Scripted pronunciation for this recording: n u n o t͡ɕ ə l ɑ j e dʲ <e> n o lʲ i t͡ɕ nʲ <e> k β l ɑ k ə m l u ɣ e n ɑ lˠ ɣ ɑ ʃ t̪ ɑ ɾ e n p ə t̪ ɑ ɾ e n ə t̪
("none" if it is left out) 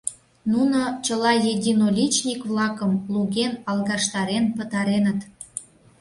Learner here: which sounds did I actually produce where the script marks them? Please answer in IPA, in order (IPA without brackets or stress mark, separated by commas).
i, i